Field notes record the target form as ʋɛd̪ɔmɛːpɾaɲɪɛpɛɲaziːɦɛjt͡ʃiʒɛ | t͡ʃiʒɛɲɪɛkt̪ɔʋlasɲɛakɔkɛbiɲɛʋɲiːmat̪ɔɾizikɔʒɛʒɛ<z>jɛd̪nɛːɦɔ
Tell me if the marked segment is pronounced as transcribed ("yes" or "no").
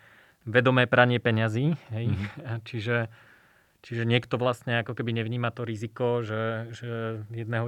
no